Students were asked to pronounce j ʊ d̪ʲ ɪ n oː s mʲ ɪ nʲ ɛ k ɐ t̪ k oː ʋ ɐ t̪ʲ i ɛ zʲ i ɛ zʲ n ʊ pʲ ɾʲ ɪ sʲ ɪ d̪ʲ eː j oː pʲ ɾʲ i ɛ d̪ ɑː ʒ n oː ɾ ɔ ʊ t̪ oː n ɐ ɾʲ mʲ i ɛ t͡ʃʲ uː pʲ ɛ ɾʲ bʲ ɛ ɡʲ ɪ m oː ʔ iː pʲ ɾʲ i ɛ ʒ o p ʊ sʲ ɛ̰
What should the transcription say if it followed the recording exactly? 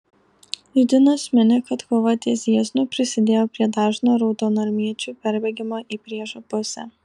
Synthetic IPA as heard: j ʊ d̪ʲ ɪ n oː s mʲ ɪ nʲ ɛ k ɐ t̪ k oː ʋ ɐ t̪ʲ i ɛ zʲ i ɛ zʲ n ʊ pʲ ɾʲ ɪ sʲ ɪ d̪ʲ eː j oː pʲ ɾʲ i ɛ d̪ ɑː ʒ n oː ɾ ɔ ʊ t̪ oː n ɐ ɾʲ mʲ i ɛ t͡ʃʲ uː pʲ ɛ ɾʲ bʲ ɛ ɡʲ ɪ m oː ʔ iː pʲ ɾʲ i ɛ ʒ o p ʊ sʲ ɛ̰